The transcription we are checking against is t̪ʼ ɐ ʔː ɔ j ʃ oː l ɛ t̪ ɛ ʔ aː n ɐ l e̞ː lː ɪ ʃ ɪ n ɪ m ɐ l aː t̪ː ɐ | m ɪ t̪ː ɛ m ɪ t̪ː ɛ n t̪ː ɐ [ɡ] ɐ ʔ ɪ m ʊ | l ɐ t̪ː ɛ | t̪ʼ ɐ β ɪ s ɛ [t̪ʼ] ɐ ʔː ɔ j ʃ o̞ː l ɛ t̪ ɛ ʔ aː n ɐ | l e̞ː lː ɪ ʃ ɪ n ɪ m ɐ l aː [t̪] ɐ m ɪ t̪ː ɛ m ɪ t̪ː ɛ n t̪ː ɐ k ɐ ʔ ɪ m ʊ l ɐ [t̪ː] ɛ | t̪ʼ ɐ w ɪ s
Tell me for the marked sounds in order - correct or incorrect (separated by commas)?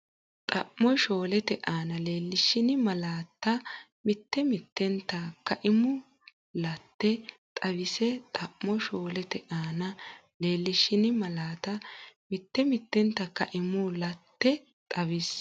incorrect, correct, correct, correct